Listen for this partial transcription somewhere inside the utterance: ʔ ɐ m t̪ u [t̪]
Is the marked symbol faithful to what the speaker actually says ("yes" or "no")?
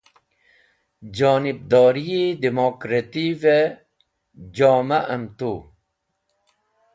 no